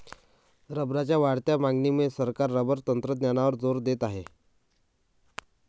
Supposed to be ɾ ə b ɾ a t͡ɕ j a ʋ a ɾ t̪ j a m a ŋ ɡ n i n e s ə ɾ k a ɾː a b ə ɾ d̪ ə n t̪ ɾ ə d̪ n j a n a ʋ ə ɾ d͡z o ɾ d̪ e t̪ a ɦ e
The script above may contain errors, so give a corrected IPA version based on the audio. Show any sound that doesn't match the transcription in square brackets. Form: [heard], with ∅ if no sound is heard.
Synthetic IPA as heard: ɾ ə b ɾ a t͡ɕ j a ʋ a [ɽ] t̪ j a m a ŋ ɡ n i [m] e s ə ɾ k a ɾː [ə] b ə ɾ [t̪] ə n t̪ ɾ ə d̪ n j a n a ʋ ə ɾ d͡z o ɾ d̪ e t̪ a ɦ e